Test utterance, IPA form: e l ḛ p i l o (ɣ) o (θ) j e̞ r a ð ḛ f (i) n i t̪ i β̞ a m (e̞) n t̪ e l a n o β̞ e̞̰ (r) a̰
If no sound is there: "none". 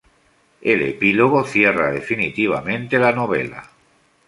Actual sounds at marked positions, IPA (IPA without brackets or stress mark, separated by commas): ɣ, θ, i, ẽ̞, l